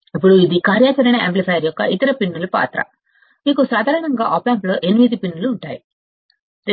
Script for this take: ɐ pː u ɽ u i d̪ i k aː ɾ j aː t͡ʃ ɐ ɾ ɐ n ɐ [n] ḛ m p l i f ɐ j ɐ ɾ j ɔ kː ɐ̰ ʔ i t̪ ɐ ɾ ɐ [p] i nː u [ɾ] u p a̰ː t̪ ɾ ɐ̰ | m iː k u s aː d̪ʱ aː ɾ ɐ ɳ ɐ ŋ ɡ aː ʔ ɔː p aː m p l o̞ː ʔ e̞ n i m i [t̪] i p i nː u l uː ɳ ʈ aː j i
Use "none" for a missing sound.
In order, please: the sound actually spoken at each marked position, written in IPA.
none, p, l, d̪

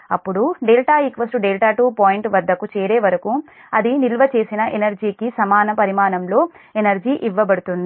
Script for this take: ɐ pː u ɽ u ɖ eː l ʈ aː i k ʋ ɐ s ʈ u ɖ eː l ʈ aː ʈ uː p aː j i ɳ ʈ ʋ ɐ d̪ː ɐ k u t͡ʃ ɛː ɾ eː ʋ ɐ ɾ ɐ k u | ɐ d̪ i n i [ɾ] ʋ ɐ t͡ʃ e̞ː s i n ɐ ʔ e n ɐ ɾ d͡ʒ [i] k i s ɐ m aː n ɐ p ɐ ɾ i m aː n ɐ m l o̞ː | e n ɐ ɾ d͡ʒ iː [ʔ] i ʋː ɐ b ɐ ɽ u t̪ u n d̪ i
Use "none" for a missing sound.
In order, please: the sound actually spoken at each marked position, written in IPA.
l, iː, ʔ

